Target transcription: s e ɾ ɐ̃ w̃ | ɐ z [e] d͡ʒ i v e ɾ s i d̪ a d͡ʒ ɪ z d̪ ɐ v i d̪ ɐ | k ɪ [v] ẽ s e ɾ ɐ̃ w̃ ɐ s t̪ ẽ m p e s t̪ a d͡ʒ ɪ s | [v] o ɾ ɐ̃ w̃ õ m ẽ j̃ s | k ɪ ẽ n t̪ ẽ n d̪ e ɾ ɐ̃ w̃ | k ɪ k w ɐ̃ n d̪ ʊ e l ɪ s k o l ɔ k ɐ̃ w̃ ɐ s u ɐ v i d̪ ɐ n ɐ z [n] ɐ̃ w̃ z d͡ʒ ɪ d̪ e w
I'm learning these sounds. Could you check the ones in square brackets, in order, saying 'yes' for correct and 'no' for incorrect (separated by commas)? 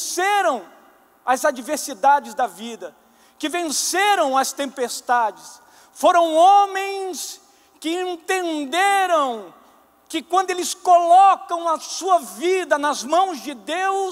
no, yes, no, no